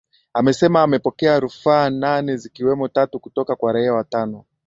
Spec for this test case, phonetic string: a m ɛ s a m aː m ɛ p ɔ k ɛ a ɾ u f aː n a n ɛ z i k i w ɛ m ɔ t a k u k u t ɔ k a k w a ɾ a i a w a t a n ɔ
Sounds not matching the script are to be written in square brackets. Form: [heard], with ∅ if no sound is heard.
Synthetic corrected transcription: a m ɛ s [ɛ] m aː m ɛ p ɔ k ɛ a ɾ u f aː n a n ɛ z i k i w ɛ m ɔ t a [t] u k u t ɔ k a k w a ɾ a i a w a t a n ɔ